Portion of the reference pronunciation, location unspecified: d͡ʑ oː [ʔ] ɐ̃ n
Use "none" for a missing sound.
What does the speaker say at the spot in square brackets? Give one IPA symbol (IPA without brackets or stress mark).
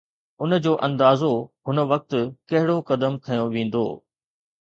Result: ʔ